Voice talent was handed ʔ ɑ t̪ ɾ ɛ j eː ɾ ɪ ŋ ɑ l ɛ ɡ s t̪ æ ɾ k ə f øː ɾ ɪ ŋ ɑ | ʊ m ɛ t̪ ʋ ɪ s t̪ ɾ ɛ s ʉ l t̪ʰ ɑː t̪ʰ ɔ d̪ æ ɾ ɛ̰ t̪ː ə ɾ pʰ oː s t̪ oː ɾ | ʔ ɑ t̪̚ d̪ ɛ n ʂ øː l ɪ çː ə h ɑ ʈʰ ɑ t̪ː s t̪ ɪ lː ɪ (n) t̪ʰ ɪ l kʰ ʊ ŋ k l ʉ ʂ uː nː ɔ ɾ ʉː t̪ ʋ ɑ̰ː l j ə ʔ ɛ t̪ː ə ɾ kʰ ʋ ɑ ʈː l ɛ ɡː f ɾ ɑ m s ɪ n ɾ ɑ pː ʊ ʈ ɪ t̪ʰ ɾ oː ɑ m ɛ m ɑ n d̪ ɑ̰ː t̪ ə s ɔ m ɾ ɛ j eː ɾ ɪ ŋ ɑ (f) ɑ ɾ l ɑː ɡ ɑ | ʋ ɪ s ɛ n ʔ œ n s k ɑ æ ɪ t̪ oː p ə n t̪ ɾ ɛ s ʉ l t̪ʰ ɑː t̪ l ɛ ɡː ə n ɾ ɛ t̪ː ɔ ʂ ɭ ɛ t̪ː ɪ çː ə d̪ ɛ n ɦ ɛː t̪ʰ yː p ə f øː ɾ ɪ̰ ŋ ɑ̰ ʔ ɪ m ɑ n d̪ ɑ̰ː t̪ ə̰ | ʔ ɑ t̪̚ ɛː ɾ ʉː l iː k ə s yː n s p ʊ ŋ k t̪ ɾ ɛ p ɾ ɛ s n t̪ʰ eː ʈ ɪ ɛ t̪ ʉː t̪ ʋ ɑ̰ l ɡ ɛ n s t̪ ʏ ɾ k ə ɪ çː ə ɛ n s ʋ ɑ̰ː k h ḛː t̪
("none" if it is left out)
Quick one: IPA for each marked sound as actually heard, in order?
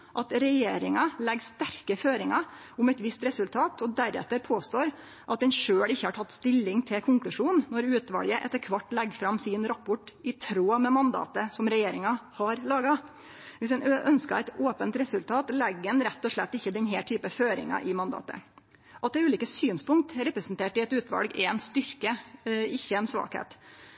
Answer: ŋ, h

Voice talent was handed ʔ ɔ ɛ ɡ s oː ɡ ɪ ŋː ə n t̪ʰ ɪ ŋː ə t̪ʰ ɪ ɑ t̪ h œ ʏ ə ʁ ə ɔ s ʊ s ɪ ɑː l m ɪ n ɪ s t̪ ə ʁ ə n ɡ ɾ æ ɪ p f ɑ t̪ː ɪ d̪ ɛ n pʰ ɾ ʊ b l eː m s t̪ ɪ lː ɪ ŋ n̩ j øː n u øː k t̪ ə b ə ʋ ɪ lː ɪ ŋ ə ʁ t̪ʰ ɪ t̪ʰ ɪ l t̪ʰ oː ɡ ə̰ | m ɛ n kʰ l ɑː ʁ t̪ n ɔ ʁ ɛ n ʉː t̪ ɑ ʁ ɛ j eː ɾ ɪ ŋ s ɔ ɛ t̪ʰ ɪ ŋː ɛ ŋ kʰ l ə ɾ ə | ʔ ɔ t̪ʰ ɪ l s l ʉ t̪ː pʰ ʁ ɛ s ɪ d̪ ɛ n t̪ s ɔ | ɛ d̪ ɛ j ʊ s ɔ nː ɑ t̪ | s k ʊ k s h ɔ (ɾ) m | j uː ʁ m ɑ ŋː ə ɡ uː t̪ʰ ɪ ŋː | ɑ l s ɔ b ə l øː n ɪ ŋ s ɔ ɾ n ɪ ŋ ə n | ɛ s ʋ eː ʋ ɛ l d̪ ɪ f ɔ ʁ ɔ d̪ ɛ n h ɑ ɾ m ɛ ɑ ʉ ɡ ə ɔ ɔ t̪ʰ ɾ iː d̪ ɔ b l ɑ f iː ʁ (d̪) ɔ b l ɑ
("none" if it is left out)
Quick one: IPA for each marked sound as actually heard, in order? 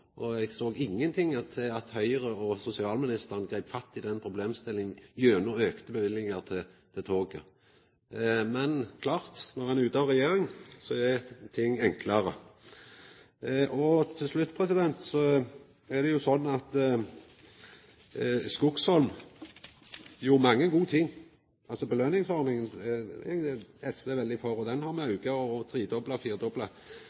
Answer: l, d̪

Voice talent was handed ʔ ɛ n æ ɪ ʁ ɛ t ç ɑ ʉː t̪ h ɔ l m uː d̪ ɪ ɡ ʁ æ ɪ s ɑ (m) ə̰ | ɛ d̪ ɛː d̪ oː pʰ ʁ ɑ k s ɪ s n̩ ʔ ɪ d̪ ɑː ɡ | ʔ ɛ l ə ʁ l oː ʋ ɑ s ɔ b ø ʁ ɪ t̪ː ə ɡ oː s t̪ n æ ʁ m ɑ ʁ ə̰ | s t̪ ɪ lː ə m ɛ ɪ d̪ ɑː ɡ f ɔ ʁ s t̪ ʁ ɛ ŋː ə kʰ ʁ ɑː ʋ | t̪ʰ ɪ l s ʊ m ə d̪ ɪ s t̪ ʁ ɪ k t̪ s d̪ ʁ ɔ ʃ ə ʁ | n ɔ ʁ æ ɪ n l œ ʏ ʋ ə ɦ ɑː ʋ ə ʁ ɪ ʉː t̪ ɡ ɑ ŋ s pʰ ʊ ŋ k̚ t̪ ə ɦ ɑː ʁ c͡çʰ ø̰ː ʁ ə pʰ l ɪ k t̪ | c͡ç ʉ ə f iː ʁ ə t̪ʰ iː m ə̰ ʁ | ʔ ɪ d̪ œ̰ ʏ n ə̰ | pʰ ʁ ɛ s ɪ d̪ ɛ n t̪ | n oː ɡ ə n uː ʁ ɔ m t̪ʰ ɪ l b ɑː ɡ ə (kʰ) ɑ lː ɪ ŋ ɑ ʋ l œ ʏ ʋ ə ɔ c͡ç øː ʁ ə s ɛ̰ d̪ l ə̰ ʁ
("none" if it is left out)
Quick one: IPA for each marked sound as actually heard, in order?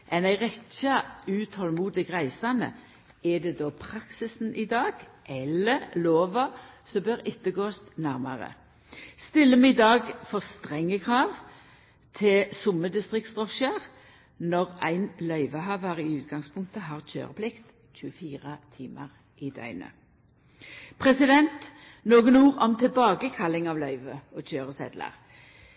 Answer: n, kʰ

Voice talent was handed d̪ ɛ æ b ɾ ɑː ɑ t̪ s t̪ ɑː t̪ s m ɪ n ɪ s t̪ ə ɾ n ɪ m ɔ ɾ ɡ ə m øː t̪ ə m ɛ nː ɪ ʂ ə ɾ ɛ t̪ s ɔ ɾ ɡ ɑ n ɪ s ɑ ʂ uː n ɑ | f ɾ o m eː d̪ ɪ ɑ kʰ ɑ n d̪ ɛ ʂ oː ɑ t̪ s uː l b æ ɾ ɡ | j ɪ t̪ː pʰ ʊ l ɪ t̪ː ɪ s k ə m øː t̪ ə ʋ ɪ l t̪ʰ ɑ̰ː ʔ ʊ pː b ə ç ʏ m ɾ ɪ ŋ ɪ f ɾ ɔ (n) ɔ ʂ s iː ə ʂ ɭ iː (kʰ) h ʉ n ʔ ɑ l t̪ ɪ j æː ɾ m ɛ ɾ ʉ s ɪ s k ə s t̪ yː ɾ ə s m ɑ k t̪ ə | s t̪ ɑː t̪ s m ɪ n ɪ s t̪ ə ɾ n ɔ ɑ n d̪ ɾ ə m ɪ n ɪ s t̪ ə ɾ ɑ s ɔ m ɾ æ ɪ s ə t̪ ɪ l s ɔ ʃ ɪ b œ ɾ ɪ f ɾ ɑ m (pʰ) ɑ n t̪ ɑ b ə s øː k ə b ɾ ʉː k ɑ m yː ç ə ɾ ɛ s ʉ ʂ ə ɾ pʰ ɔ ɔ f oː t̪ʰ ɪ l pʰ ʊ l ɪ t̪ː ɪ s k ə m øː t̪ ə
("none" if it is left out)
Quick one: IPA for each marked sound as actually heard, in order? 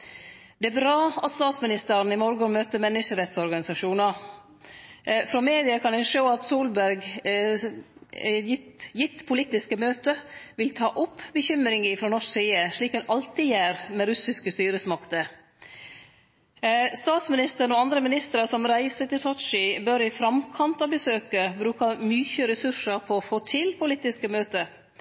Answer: n, k, kʰ

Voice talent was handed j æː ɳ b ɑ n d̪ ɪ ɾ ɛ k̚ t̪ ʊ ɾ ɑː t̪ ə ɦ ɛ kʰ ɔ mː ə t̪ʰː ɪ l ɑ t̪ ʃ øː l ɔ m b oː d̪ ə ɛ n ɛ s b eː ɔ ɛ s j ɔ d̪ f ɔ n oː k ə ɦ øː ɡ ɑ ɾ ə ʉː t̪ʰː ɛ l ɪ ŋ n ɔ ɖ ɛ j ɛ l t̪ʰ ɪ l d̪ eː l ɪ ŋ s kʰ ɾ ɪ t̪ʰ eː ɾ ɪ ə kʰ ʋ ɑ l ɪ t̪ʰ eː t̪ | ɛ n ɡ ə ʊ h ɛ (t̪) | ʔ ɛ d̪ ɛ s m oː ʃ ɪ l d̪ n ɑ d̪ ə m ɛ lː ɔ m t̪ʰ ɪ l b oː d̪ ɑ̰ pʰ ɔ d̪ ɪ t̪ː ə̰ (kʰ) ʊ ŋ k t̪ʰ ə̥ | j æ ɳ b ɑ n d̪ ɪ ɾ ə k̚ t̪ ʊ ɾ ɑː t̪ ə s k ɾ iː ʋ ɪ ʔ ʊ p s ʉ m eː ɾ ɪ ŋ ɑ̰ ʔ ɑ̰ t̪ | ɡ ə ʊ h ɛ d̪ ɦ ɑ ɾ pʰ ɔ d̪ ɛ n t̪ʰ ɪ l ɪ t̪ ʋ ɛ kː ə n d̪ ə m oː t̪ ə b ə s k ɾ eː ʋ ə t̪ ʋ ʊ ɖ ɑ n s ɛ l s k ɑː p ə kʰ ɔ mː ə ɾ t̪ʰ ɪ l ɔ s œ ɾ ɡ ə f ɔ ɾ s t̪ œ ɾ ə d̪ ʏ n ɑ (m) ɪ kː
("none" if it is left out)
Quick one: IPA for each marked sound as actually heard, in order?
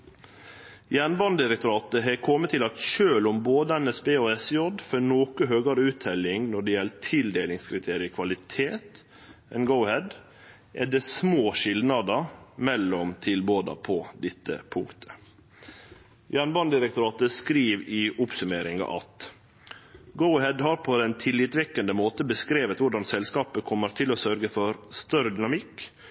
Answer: d̪, pʰ, m

